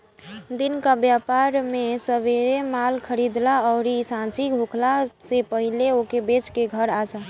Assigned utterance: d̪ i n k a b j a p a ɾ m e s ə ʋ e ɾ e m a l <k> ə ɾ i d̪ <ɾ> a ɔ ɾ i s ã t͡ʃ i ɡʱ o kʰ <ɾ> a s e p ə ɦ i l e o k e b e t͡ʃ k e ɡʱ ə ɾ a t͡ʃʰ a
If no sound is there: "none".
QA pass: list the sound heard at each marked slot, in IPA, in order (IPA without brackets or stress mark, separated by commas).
kʰ, l, l